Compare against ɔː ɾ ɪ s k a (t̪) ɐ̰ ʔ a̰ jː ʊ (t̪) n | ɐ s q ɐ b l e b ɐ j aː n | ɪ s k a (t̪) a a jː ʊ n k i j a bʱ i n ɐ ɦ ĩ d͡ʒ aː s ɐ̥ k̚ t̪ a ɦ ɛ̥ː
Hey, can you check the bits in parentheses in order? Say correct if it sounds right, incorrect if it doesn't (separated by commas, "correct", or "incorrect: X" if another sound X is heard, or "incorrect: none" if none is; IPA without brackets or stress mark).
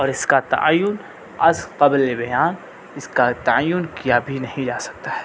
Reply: correct, incorrect: none, correct